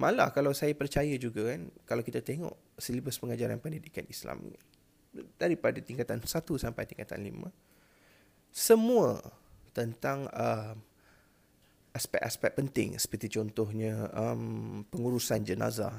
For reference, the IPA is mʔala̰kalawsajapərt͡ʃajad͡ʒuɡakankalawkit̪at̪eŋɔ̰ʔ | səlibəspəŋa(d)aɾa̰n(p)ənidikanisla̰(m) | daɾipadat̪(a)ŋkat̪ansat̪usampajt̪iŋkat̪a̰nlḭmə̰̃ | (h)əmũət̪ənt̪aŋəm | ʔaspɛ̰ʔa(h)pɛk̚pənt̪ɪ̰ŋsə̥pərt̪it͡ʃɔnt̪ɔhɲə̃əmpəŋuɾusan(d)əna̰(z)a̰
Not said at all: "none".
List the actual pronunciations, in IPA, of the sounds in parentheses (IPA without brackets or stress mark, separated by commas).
d͡ʒ, p, m, i, s, s, d͡ʒ, z